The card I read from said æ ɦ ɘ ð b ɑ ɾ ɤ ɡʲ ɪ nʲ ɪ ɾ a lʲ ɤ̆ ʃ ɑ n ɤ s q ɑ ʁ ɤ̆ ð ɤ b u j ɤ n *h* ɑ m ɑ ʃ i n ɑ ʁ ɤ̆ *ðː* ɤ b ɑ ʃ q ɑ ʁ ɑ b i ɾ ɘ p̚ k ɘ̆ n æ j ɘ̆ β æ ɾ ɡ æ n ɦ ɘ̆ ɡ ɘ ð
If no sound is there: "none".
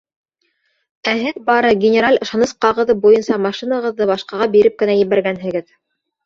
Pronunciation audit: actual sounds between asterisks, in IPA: s, ðː

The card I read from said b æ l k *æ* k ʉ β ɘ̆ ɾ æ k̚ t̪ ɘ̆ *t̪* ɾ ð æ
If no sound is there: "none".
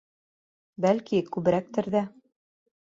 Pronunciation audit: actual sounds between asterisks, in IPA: i, none

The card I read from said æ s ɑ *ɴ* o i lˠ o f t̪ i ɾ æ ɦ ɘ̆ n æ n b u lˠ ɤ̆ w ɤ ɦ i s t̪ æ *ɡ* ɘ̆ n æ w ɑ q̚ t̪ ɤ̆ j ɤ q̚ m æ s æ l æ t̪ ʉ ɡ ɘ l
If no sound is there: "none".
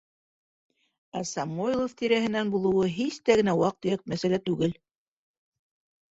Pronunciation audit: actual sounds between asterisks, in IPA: m, ɡ

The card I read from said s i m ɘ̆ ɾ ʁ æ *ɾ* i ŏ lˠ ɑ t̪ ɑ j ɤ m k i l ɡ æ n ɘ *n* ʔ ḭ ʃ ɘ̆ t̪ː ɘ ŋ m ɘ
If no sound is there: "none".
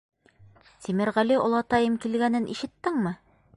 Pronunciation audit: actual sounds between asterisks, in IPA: l, n

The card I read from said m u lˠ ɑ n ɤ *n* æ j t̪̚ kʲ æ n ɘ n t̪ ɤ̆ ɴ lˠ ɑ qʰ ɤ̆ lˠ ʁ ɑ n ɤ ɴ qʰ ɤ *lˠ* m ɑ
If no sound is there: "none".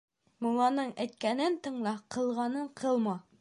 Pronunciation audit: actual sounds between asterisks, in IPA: ɴ, lˠ

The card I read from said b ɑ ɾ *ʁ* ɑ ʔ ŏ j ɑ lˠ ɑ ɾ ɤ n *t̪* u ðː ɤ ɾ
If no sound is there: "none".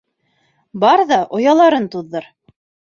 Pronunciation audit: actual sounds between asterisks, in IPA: ð, t̪

